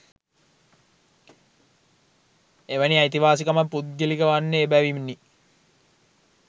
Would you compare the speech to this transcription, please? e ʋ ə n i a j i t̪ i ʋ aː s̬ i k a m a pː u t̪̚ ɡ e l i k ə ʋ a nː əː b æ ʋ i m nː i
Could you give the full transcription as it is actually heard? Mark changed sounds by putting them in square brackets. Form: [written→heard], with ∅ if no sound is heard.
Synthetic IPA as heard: e ʋ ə n i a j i t̪ i ʋ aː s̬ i k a m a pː u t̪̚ ɡ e l i k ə ʋ a nː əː b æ ʋ i m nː i